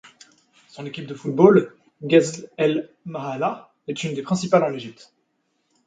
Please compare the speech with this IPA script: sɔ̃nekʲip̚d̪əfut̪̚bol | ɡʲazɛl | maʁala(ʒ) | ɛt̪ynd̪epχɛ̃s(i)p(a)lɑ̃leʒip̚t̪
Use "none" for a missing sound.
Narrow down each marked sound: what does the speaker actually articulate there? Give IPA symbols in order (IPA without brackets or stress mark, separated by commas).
none, i, a